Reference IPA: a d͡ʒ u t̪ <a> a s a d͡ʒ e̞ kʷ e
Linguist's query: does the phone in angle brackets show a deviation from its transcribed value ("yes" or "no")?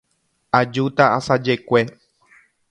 no